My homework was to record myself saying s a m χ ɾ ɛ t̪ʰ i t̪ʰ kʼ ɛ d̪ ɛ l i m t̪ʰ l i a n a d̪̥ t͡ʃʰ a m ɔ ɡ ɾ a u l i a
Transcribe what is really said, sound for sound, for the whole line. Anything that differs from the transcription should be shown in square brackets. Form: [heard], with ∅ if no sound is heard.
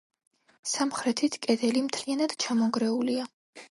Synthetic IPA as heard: s a m χ ɾ ɛ t̪ʰ i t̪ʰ kʼ ɛ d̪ ɛ l i m t̪ʰ l i a n a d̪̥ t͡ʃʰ a m ɔ ɡ ɾ [ɛ] u l i a